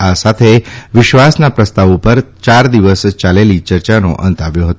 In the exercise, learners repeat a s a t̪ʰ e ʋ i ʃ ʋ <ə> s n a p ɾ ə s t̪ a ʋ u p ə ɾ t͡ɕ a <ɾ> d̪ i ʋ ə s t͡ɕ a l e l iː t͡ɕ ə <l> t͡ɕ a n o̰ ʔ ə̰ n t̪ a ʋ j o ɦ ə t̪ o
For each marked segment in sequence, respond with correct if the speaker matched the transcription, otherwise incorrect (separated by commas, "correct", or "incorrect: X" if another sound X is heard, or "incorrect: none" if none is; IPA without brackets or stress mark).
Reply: incorrect: a, correct, incorrect: ɾ